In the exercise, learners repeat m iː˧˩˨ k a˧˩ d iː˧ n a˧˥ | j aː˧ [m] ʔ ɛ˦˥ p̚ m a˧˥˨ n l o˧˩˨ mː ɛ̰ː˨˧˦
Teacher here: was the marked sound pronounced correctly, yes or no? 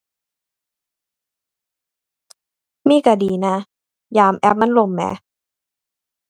yes